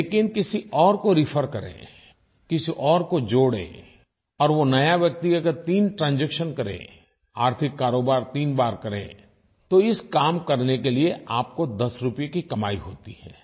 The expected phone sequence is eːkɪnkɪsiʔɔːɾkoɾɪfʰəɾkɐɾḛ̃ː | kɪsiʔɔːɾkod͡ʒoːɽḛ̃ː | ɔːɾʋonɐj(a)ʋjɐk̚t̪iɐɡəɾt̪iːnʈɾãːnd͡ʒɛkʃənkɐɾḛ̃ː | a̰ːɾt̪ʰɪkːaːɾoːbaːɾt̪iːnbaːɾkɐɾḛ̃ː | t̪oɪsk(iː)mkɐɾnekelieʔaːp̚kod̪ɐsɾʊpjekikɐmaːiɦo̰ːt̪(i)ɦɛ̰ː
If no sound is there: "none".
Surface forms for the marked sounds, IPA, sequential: a, aː, i

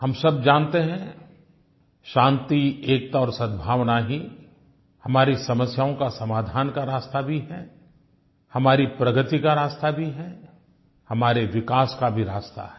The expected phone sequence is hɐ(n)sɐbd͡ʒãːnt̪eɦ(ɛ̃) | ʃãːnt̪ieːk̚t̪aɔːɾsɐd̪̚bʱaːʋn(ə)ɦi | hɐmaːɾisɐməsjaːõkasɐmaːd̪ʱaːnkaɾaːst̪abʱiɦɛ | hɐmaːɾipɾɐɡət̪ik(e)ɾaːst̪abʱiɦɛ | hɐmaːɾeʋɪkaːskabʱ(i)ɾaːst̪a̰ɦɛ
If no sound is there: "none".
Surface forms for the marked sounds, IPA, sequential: m, ɛ̃, a, a, i

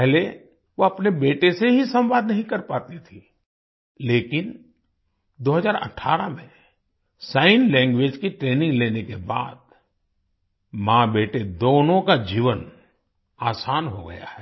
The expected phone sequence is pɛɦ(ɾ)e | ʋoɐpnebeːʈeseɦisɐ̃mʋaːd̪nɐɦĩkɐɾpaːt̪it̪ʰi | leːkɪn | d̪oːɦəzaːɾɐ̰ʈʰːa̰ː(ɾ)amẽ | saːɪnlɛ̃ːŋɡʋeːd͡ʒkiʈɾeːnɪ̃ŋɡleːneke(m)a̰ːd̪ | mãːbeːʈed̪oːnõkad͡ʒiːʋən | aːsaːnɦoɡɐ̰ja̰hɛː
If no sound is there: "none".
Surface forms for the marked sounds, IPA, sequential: l, ɾ, b

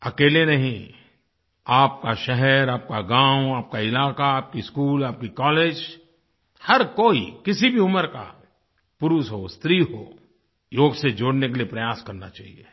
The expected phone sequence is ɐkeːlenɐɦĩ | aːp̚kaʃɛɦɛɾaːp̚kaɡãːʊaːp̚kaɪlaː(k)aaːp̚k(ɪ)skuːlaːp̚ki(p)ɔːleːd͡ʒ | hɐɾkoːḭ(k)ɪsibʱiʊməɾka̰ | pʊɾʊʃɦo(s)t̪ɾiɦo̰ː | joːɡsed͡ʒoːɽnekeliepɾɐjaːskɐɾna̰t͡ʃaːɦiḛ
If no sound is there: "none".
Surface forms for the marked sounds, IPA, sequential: k, i, k, k, s

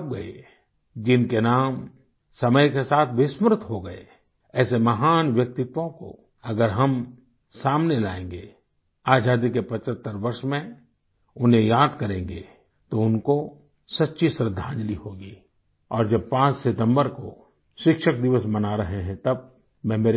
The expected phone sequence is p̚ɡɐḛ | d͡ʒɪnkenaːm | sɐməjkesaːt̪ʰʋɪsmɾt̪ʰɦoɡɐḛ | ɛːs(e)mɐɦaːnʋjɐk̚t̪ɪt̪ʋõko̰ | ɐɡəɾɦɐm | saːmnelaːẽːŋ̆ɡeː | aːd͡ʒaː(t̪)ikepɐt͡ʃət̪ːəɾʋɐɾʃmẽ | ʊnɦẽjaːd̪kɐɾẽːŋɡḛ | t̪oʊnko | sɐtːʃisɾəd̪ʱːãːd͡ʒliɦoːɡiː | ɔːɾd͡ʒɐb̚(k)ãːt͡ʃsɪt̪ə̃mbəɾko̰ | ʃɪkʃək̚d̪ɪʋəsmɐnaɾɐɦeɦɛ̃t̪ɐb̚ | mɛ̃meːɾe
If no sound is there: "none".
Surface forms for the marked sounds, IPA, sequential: e, d̪, p

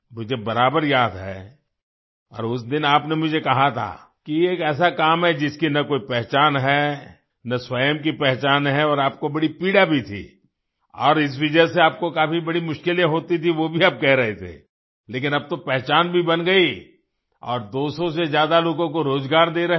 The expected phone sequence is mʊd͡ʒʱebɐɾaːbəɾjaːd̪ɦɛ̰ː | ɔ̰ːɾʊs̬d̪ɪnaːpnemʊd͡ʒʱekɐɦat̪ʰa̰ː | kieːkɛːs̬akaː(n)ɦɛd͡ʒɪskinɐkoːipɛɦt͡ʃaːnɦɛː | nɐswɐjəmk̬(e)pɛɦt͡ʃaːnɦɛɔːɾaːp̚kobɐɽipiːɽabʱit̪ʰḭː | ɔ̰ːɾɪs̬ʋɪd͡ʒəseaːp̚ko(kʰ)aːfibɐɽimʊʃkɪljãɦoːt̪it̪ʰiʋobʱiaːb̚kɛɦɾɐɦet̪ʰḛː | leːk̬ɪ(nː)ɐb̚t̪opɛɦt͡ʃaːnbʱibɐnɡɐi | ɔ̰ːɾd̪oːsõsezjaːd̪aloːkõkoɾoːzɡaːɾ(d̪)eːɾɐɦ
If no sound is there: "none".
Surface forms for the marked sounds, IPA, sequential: m, i, k, n, d̪

